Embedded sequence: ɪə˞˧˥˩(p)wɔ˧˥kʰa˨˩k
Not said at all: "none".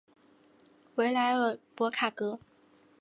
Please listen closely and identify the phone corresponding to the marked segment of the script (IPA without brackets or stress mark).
p